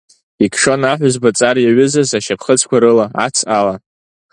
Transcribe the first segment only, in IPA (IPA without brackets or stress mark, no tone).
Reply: i